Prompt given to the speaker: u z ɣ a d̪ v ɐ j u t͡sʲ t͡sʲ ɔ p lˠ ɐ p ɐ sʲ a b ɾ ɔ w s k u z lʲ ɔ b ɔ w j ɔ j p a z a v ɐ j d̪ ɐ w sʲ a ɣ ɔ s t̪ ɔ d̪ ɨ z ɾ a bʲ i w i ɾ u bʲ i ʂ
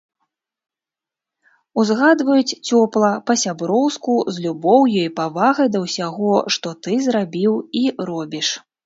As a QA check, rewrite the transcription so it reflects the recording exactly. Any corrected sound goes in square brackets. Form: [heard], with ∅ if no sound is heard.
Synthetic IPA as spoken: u z ɣ a d̪ v ɐ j u t͡sʲ t͡sʲ ɔ p lˠ ɐ p ɐ sʲ a b ɾ ɔ w s k u z lʲ [u] b ɔ w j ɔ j p a [v] a [ɣ] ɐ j d̪ ɐ w sʲ a ɣ ɔ [ʂ] t̪ ɔ [t̪] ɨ z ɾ a bʲ i w i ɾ [ɔ] bʲ i ʂ